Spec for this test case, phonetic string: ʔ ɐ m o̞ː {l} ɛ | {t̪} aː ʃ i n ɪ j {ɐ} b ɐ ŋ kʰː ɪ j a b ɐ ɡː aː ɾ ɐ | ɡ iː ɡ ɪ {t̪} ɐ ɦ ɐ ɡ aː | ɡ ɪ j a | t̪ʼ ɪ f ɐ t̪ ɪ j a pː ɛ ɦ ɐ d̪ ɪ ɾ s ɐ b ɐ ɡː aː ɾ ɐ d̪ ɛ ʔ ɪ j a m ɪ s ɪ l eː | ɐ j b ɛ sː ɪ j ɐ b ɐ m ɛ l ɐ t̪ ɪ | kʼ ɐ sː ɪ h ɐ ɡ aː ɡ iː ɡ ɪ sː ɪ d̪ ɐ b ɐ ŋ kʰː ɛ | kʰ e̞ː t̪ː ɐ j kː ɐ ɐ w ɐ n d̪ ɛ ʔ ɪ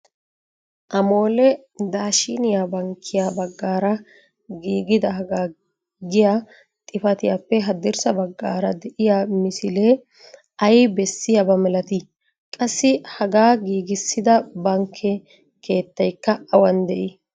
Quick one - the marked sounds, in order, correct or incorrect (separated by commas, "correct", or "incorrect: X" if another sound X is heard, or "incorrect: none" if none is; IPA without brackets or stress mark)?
correct, incorrect: d̪, incorrect: a, incorrect: d̪